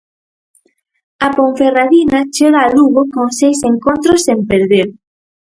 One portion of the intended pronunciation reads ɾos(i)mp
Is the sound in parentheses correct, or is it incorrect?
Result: incorrect